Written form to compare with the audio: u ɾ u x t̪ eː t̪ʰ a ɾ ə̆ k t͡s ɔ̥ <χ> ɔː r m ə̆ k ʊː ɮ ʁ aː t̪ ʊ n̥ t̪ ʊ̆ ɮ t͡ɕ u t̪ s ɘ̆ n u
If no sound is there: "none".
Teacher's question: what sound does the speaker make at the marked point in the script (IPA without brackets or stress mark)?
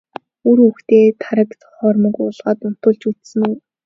χ